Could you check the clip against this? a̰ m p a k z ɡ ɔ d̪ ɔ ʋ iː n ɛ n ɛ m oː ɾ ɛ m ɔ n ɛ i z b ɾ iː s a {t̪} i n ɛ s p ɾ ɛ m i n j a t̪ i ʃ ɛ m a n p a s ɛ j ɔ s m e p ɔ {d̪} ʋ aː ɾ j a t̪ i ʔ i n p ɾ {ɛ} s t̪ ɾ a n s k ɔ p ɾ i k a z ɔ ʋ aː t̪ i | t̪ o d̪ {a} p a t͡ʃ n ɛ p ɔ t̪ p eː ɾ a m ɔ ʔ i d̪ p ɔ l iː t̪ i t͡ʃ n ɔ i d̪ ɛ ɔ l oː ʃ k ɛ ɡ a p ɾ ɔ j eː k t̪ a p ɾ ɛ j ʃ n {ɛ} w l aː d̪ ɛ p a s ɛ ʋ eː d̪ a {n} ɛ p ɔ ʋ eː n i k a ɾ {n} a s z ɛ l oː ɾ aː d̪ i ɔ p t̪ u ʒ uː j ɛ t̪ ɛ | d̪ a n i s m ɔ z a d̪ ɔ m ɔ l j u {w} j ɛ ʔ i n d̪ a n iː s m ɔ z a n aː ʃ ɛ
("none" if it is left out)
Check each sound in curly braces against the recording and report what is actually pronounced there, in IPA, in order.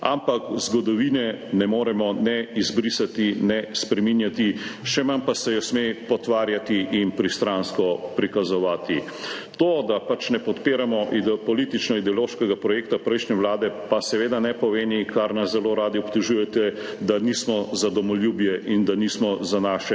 t̪, t̪, i, a, ɛ, n, n, b

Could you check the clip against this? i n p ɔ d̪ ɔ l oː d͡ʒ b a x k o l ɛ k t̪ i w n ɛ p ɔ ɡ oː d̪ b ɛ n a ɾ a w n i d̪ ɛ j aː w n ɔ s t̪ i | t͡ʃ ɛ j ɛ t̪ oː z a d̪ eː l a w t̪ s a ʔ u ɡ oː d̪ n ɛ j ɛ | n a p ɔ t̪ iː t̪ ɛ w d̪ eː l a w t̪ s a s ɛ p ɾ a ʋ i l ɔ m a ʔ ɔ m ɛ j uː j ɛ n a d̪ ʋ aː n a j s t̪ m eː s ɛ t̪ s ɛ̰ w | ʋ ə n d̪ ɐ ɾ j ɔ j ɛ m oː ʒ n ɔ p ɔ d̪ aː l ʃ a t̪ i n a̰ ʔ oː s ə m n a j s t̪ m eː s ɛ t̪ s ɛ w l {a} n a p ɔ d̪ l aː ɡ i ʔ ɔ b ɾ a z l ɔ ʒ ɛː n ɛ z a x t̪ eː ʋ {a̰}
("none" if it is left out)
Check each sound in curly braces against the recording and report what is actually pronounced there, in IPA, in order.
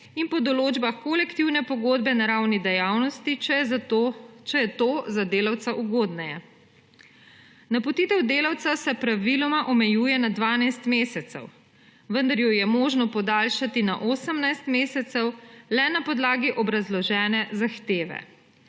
ɛ, ɛ̰

